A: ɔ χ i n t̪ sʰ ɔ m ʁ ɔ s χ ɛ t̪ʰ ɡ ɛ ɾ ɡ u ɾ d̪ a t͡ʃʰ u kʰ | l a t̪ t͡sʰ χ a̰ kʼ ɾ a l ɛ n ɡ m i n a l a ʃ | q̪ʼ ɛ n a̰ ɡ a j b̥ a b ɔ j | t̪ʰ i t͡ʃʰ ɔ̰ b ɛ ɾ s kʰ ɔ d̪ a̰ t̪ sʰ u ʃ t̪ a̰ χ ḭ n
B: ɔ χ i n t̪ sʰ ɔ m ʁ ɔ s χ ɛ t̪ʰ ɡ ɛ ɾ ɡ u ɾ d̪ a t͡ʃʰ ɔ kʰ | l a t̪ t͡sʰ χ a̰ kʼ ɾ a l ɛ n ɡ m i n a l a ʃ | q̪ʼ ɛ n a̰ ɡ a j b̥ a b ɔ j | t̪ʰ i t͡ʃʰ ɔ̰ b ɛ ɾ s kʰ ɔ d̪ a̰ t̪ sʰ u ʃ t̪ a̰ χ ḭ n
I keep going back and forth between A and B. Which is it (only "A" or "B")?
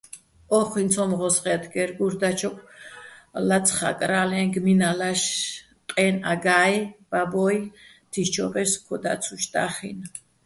B